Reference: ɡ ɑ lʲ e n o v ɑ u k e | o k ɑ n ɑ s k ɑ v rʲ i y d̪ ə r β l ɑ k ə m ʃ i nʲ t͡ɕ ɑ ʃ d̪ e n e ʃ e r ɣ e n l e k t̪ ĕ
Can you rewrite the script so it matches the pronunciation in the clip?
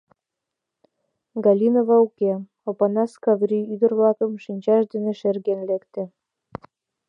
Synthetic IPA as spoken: ɡ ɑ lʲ i n o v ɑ u k e | o p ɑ n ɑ s k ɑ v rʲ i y d̪ ə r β l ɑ k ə m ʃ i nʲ t͡ɕ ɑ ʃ d̪ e n e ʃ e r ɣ e n l e k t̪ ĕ